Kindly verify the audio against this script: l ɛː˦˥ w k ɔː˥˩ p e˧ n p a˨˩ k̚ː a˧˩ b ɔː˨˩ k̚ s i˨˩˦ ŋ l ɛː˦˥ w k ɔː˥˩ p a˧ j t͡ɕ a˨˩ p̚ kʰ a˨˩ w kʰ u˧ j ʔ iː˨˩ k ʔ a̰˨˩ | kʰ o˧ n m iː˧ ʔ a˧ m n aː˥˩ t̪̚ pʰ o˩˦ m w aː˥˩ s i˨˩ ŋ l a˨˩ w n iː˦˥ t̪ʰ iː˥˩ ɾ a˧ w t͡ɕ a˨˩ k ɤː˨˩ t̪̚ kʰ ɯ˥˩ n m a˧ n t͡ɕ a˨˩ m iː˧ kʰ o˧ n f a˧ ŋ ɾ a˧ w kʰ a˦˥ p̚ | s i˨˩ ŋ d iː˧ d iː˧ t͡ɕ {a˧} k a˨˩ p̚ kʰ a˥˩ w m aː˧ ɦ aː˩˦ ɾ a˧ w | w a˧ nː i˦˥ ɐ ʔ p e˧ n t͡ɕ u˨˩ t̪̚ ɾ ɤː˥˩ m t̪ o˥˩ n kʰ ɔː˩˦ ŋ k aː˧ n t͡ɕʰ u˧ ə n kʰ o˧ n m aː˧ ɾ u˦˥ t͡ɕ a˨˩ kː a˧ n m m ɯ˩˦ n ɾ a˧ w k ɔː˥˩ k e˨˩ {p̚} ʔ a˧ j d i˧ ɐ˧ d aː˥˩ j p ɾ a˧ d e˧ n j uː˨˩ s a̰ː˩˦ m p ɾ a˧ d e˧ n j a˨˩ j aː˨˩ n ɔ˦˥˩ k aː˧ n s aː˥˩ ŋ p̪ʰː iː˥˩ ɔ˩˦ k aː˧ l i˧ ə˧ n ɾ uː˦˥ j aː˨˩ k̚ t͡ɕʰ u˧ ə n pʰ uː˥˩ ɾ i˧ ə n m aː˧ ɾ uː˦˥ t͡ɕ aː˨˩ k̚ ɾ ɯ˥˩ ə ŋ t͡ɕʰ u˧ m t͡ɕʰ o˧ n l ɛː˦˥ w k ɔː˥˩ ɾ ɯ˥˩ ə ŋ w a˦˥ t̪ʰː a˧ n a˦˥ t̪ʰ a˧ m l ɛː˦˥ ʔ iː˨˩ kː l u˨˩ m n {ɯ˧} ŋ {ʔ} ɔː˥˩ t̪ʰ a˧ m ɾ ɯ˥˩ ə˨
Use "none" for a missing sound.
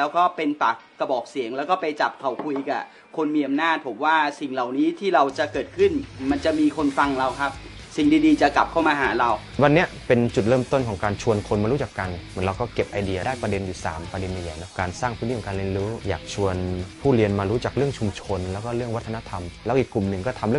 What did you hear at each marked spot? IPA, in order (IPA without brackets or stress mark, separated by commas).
a˨˩, p̚, ɯ˨˩, k